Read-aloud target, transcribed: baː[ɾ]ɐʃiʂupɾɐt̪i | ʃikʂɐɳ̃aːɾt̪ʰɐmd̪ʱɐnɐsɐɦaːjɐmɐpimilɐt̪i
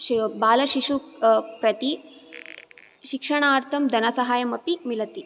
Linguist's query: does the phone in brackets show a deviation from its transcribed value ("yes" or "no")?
yes